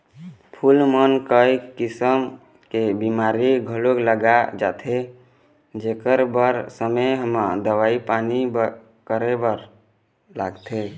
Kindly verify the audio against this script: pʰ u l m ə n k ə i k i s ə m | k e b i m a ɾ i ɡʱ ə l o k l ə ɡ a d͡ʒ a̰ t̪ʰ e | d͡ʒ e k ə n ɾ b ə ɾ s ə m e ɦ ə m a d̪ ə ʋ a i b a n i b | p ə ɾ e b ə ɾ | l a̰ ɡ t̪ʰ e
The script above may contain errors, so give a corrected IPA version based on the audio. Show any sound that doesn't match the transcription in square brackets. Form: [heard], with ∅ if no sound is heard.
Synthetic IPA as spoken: pʰ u l m ə n k ə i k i s ə m | k e b i m a ɾ i ɡʱ ə l o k l ə ɡ a d͡ʒ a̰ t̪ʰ e | d͡ʒ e k ə [∅] ɾ b ə ɾ s ə m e ɦ ə m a d̪ ə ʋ a i [p] a n i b | [k] ə ɾ e b ə ɾ | l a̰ ɡ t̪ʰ e